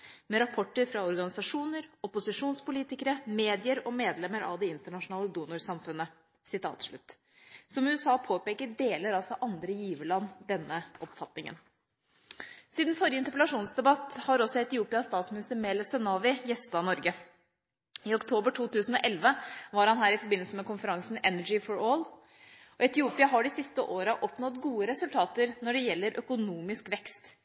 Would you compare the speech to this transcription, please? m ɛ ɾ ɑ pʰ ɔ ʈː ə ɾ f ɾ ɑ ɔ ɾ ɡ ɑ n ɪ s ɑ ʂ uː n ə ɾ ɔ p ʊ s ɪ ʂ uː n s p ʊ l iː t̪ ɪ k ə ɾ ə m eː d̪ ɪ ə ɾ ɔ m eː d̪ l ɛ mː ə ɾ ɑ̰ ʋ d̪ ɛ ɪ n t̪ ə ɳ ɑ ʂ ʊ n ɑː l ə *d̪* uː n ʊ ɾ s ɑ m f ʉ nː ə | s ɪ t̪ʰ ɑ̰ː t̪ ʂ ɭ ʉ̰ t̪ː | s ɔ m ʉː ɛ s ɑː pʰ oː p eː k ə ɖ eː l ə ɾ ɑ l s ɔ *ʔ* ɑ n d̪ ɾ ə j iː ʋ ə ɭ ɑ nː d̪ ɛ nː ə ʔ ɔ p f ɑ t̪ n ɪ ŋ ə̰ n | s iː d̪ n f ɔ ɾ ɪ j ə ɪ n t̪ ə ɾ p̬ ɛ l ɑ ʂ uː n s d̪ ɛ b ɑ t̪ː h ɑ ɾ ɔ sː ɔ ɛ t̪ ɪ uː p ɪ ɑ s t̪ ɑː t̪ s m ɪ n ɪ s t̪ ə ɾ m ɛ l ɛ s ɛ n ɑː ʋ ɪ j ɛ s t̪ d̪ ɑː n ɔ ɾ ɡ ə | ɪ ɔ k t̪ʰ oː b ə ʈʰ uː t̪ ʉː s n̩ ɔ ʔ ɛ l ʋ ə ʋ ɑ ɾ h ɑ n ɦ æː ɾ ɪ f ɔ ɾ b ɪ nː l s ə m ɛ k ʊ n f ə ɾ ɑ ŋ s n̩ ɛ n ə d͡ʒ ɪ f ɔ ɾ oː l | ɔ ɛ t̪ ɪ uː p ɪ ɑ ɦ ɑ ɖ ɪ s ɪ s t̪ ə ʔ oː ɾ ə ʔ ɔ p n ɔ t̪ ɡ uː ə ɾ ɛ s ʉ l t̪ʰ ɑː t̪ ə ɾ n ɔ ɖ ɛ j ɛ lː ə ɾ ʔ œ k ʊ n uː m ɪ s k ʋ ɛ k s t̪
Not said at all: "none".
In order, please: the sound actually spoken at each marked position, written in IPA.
d̪, ʔ

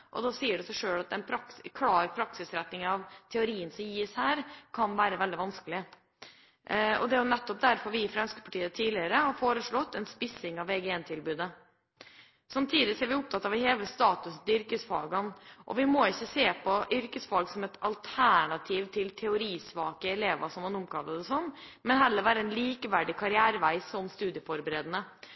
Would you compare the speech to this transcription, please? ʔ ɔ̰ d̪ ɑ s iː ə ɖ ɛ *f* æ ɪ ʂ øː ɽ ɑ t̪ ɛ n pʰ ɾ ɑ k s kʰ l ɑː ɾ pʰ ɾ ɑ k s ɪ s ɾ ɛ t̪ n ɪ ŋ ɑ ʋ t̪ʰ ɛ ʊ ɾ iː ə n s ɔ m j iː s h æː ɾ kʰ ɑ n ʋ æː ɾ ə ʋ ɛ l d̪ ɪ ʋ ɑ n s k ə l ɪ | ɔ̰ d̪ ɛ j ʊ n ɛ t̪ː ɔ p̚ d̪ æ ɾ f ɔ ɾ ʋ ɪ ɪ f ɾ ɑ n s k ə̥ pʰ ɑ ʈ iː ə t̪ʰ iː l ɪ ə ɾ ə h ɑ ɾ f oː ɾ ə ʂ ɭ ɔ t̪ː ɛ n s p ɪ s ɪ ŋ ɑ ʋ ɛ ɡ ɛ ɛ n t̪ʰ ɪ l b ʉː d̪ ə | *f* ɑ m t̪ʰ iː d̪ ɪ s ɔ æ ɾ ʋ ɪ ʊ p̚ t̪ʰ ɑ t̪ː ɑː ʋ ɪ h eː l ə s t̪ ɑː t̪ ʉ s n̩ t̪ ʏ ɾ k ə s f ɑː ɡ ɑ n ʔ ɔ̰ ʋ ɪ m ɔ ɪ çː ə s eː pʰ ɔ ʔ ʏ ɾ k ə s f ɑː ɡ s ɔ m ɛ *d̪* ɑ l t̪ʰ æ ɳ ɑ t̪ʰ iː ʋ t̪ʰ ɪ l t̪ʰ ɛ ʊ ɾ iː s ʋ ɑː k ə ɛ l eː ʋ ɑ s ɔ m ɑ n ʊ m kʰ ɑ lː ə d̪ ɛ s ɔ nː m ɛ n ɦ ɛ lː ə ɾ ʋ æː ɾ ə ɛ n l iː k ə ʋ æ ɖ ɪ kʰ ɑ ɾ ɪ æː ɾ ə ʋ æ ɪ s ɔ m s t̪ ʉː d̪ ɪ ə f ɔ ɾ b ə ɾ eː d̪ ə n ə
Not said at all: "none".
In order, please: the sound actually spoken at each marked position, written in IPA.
s, s, t̪

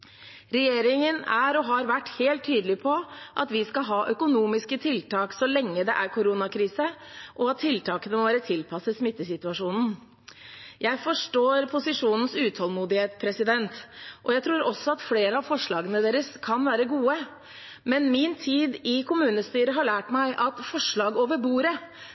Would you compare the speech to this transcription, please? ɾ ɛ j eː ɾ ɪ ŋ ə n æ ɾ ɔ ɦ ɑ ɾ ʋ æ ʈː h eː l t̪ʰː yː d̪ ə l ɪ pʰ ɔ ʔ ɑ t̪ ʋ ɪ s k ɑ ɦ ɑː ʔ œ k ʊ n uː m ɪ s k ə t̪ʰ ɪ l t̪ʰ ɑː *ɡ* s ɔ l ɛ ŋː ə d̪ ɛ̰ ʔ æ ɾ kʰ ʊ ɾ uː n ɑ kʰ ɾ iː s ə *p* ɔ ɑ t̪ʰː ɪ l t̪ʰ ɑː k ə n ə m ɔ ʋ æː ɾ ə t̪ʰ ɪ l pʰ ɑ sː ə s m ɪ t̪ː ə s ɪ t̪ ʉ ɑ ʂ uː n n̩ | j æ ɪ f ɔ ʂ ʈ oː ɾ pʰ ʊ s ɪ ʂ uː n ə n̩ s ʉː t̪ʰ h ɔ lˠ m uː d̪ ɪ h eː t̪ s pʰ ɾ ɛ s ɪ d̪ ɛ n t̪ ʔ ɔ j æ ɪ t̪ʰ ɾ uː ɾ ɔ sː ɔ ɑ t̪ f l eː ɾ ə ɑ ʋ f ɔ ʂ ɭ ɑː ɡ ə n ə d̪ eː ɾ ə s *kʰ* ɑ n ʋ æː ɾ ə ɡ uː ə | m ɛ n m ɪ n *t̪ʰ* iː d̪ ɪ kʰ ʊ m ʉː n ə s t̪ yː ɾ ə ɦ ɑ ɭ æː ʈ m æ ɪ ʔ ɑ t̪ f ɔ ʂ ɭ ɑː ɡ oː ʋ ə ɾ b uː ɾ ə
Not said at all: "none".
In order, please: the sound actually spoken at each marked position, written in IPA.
k, ʔ, kʰ, t̪ʰ

